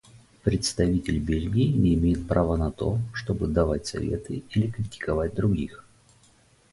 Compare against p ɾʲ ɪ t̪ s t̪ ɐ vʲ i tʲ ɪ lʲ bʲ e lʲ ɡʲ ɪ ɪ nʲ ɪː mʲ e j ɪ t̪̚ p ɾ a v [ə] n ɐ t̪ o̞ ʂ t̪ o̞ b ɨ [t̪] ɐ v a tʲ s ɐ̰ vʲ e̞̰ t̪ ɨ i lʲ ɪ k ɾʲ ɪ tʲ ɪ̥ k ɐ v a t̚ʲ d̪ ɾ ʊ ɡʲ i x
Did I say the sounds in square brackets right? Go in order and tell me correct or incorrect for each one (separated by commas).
correct, incorrect